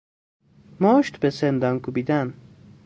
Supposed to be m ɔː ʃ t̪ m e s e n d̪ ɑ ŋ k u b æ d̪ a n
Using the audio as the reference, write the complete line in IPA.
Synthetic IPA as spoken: m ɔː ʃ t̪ b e s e n d̪ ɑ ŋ k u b i d̪ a n